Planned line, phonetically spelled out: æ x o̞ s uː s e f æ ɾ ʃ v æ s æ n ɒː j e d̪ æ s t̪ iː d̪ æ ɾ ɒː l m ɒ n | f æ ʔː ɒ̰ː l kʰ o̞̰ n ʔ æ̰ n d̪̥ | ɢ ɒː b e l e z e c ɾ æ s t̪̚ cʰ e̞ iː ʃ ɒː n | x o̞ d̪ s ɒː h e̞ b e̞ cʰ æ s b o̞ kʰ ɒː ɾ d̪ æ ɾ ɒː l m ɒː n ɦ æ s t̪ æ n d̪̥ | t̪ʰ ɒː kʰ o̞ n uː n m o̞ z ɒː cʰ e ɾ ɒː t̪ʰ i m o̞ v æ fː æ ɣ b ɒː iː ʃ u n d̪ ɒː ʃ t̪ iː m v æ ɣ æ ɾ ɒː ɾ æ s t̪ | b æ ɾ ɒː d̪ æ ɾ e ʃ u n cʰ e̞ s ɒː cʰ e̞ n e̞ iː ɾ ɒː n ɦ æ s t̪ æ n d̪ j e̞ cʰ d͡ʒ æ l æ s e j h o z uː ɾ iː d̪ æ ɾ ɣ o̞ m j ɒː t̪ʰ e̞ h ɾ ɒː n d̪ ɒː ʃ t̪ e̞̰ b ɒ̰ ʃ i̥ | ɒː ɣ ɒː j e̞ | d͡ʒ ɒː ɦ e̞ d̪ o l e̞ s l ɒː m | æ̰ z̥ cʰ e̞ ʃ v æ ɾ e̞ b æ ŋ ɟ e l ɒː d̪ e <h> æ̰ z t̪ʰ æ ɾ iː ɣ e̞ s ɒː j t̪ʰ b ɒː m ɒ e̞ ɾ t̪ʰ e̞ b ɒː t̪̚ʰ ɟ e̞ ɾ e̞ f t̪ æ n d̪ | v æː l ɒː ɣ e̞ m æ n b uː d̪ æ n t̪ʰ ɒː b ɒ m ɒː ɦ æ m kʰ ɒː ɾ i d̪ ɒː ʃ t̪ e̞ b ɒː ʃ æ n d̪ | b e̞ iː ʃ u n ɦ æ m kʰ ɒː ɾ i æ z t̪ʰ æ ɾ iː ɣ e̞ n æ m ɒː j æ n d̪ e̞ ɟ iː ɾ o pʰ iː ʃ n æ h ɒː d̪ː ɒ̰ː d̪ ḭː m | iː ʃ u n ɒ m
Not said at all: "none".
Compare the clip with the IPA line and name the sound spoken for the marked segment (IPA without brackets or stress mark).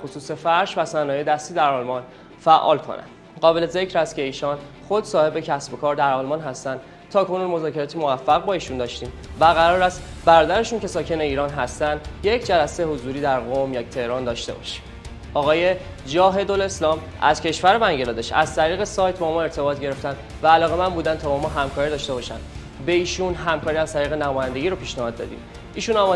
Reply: ʃ